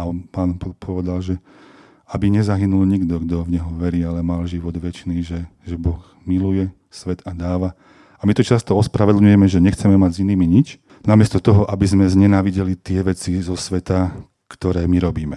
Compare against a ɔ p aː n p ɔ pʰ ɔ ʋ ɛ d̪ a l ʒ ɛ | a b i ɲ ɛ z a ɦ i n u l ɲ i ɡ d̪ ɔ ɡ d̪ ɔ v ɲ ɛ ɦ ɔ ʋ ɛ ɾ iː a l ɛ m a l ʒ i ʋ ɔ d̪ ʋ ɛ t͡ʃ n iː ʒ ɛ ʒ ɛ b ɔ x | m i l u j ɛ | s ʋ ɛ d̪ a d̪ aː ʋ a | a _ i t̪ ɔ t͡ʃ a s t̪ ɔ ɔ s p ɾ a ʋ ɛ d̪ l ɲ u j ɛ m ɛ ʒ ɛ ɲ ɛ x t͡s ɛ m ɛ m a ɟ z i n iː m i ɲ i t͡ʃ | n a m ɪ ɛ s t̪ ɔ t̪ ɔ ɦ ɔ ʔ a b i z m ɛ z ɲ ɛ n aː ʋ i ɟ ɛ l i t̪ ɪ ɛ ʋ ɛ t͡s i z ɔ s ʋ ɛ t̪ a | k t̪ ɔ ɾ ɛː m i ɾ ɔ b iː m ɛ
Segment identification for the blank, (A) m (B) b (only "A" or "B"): A